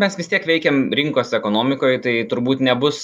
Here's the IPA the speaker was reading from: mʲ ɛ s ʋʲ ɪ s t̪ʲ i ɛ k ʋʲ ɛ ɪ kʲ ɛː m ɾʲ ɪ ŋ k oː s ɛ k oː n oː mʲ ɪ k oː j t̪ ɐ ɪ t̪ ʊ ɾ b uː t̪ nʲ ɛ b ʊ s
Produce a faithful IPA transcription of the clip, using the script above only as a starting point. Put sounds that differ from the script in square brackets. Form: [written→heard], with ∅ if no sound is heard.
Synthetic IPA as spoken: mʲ ɛ s ʋʲ ɪ s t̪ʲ i ɛ k ʋʲ ɛ ɪ kʲ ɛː m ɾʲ ɪ ŋ k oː s ɛ k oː n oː mʲ ɪ k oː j t̪ ɐ ɪ t̪ ʊ ɾ b uː t̪ nʲ ɛ b ʊ s